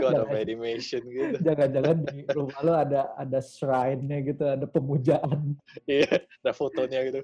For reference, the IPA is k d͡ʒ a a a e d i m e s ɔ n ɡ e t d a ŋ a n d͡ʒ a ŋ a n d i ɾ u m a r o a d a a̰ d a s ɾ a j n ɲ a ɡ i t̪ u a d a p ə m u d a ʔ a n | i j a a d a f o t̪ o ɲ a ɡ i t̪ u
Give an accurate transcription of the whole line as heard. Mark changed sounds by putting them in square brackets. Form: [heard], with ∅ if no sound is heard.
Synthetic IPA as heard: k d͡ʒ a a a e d i m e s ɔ n ɡ [i] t [d͡ʒ] a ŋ a n d͡ʒ a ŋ a n d i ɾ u m a [l] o a d a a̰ d a s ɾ a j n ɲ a ɡ i t̪ u a d a p ə m u [d͡ʒ] a ʔ a n | i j a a d a f o t̪ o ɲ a ɡ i t̪ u